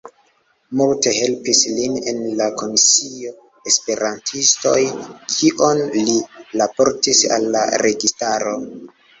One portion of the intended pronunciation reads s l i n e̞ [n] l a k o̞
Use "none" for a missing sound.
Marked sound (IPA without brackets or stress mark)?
n